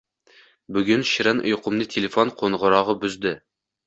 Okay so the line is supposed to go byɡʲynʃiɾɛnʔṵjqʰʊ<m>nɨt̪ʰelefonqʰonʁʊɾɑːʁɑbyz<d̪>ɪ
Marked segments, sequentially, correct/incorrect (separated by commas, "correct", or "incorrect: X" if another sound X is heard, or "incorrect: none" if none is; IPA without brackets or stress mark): correct, correct